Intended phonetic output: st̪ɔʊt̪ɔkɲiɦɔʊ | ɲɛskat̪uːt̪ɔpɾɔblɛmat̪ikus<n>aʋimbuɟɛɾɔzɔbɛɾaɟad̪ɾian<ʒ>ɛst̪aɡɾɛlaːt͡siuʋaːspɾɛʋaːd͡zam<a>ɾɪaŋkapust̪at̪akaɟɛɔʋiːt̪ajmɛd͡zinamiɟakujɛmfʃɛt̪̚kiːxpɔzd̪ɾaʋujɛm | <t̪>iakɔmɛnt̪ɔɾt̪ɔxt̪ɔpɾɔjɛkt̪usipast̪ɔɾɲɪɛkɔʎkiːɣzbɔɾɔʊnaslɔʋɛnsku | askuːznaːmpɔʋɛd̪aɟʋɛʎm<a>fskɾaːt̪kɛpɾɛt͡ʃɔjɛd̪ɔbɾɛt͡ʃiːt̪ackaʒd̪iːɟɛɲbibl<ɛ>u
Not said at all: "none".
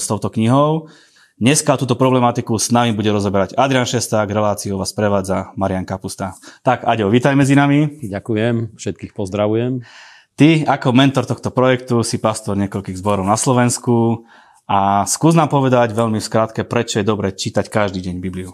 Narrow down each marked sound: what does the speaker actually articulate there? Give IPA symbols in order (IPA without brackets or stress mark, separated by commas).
n, ʃ, a, t̪, i, i